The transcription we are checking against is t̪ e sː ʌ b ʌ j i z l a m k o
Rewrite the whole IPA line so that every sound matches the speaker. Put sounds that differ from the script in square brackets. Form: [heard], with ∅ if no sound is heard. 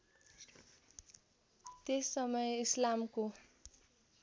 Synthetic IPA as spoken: t̪ e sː ʌ [m] ʌ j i [s] l a m k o